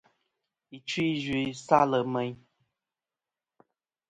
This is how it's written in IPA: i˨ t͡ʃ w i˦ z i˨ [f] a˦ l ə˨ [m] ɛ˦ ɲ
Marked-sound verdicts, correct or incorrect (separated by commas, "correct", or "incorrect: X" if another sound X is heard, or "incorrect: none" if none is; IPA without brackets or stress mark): incorrect: s, correct